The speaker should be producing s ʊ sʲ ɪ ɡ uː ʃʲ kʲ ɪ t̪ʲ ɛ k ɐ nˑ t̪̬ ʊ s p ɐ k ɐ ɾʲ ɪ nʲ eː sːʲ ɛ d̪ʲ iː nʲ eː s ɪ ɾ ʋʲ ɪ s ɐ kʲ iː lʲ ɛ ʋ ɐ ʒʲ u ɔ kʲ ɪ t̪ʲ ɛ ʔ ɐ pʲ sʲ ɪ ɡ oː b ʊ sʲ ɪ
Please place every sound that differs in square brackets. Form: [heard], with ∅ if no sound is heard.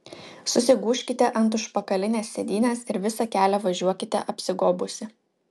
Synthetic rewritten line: s ʊ sʲ ɪ ɡ uː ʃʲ kʲ ɪ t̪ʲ ɛ [ʔ] ɐ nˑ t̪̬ ʊ [ʃ] p ɐ k ɐ [lʲ] ɪ nʲ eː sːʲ ɛ d̪ʲ iː nʲ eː s ɪ ɾ ʋʲ ɪ s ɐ kʲ [æː] lʲ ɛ ʋ ɐ ʒʲ u ɔ kʲ ɪ t̪ʲ ɛ ʔ ɐ pʲ sʲ ɪ ɡ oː b ʊ sʲ ɪ